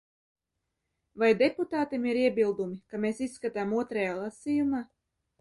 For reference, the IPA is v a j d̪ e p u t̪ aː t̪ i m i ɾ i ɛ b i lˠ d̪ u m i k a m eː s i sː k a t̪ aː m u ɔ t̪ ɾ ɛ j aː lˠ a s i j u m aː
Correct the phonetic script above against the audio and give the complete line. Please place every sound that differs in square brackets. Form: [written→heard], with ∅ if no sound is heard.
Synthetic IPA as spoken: v a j d̪ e p u t̪ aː t̪ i m i ɾ i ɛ b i lˠ d̪ u m i k a m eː s i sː k a t̪ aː m u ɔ t̪ ɾ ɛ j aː lˠ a s i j u m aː